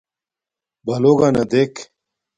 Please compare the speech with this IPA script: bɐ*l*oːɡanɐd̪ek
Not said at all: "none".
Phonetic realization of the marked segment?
l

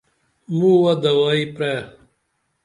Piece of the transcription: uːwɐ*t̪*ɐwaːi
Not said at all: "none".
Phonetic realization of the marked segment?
d̪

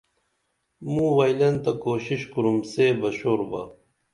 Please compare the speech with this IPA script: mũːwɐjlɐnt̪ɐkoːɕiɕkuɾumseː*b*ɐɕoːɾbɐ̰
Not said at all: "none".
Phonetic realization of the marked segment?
b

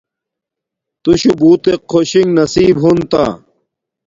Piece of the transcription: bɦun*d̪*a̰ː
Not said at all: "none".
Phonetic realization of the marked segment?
t̪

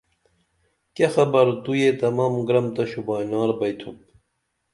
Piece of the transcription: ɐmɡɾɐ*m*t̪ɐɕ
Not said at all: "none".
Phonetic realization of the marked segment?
m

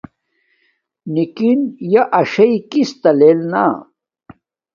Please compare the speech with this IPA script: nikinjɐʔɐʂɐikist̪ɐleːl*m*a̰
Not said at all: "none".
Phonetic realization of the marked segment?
n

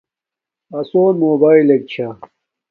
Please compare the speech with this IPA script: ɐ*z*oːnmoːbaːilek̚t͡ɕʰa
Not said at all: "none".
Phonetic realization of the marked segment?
s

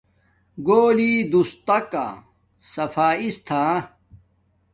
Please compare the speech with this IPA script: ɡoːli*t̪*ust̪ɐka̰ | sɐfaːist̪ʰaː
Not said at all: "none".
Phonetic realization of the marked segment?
d̪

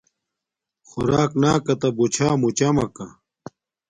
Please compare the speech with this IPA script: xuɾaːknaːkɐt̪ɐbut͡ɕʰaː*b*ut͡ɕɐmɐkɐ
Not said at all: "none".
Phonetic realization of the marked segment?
m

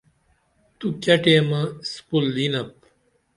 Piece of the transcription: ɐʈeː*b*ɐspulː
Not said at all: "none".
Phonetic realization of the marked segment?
m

